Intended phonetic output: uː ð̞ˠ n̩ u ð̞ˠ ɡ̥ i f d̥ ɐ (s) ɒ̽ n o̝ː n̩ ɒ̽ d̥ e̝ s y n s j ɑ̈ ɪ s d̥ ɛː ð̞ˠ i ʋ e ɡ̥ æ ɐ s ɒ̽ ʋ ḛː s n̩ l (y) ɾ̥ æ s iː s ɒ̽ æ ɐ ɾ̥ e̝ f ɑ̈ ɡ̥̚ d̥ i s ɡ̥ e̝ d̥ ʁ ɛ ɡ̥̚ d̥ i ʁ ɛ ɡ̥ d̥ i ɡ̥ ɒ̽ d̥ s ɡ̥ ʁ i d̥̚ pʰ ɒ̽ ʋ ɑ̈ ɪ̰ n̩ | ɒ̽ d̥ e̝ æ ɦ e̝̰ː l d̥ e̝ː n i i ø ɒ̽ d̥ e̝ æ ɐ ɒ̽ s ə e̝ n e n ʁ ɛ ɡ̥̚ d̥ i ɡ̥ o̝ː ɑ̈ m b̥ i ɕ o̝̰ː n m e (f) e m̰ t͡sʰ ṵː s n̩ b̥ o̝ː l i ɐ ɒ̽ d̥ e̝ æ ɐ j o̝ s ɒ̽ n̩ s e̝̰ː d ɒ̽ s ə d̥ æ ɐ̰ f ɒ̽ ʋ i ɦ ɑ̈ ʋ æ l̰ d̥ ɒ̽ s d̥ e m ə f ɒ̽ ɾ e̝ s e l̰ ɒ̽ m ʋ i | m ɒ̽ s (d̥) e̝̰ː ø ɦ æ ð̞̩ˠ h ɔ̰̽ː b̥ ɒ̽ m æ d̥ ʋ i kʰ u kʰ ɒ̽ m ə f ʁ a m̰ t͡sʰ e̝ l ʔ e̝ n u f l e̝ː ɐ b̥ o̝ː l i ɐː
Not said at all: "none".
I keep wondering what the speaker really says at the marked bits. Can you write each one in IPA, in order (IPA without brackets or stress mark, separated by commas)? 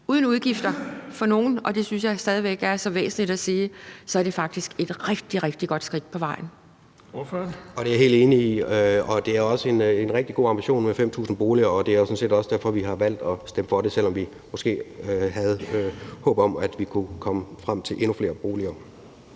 f, i, f, ɡ̥